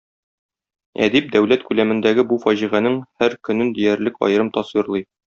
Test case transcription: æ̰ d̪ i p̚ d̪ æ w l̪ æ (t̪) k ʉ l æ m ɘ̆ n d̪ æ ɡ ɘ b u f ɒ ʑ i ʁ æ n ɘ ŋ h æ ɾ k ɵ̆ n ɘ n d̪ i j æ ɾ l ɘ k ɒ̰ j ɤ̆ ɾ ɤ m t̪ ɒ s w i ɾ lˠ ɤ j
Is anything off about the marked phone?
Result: no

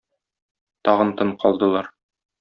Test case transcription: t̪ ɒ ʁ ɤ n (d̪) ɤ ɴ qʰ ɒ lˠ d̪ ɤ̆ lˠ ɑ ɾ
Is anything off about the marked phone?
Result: yes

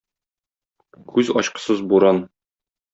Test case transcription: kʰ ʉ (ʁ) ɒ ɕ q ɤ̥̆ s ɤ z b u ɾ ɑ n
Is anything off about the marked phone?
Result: yes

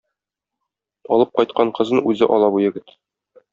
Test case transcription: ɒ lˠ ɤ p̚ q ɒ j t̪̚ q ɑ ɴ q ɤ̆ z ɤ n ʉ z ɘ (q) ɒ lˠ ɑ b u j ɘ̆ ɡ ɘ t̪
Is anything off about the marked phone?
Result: yes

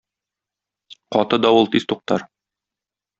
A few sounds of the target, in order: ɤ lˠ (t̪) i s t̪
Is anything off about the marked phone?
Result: no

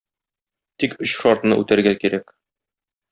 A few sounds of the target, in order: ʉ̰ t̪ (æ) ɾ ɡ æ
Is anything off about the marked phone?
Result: no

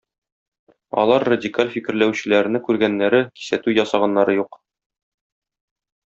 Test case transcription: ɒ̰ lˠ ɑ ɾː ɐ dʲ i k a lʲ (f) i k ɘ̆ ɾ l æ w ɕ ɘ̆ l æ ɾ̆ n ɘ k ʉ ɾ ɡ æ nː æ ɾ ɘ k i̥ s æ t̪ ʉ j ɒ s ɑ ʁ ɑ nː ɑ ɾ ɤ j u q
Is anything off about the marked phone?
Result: no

